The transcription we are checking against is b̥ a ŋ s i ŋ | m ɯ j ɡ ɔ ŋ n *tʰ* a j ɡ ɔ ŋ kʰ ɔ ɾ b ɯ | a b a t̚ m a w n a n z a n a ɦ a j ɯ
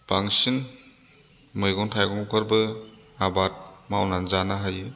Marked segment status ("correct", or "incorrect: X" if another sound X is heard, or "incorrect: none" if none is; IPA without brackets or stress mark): correct